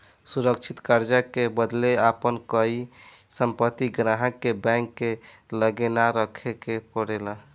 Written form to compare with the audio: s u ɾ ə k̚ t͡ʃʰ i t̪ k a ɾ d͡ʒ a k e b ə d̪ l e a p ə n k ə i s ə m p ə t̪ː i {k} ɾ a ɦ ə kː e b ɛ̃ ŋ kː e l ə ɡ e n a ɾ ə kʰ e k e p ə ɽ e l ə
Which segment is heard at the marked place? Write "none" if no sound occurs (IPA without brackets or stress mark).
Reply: ɡ